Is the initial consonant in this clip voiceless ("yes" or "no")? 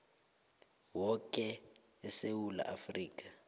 no